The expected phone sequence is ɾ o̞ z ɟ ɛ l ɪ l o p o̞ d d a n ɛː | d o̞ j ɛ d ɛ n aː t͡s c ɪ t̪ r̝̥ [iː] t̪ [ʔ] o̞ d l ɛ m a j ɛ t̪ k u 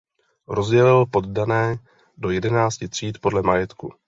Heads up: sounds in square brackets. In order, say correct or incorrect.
correct, incorrect

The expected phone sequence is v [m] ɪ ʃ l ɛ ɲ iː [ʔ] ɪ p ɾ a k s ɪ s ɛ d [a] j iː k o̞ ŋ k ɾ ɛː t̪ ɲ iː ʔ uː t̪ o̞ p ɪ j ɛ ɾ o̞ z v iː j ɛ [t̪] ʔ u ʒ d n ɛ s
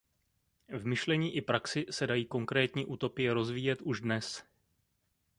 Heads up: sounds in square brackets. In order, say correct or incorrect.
correct, correct, correct, correct

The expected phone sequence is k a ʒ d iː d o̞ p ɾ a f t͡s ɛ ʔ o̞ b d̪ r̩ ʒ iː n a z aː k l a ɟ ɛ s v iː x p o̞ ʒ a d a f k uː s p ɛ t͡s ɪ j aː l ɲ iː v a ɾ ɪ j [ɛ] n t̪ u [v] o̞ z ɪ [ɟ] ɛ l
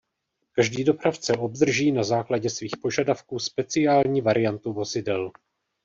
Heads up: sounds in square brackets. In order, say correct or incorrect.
incorrect, correct, incorrect

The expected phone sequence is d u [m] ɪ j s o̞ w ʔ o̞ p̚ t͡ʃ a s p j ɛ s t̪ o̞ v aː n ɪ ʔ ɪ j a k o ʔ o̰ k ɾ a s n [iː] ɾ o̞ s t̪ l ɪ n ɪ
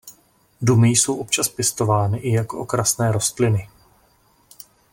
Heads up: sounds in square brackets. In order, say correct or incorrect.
correct, incorrect

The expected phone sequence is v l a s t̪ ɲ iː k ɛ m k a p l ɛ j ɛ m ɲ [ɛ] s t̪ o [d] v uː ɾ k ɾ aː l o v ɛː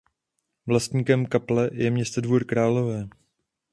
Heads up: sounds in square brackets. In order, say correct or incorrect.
correct, correct

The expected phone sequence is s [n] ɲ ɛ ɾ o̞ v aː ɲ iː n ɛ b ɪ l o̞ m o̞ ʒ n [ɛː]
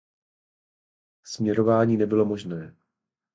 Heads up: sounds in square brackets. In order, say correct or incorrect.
incorrect, correct

